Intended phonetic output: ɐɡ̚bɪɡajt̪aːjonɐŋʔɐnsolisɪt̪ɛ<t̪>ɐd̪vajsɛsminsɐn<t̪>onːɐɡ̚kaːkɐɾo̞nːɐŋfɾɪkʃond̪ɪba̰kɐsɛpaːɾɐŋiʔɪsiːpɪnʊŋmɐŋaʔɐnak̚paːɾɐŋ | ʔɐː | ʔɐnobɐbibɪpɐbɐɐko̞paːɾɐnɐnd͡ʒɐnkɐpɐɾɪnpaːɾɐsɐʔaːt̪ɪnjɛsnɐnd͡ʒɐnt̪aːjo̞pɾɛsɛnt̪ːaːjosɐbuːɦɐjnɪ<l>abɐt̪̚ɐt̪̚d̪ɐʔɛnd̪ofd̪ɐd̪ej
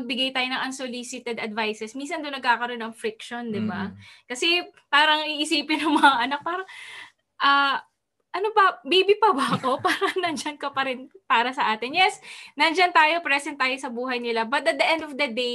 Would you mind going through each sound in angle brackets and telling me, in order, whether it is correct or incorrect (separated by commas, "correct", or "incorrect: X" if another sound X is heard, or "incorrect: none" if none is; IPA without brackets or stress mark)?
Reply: incorrect: d̪, incorrect: d̪, correct